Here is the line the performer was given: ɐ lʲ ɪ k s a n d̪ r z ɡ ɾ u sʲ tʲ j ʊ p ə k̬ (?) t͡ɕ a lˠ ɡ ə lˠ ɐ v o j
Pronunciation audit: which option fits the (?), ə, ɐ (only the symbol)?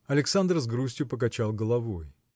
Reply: ɐ